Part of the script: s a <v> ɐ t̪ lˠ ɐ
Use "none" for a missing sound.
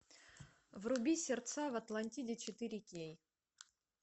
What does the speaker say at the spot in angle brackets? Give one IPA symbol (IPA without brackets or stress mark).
v